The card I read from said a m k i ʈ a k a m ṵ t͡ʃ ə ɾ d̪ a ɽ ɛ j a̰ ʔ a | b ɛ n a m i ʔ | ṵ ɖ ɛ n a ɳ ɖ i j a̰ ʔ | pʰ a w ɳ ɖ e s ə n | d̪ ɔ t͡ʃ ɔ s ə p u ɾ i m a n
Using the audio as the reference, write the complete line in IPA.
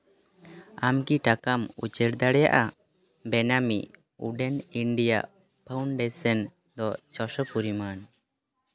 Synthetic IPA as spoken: a m k i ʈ a k a m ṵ t͡ʃ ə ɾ d̪ a ɽ ɛ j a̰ ʔ a | b ɛ n a m i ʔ | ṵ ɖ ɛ n i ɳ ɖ i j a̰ ʔ | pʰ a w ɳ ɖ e s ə n | d̪ ɔ t͡ʃ ɔ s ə p u ɾ i m a n